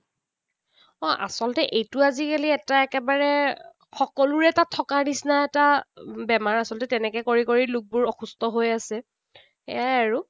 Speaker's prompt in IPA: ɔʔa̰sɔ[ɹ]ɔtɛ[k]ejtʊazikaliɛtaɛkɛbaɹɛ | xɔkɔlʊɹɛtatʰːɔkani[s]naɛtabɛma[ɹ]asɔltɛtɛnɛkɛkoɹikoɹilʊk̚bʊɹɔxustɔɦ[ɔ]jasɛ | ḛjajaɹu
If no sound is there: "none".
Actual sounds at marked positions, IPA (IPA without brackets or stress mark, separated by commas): l, ʔ, s, ɹ, o